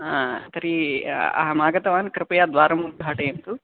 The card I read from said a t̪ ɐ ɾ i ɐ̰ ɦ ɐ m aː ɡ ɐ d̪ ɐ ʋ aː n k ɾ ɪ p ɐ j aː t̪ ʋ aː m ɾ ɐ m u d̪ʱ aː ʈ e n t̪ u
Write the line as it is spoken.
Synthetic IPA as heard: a t̪ ɐ ɾ i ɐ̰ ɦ ɐ m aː ɡ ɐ t̪ ɐ ʋ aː n k ɾ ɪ p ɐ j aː d̪ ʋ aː ɾ ɐ m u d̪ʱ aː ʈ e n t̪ u